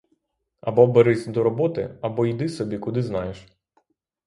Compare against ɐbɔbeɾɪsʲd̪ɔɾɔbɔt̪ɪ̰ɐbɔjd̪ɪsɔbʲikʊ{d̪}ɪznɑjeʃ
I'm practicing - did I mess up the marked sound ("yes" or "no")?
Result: no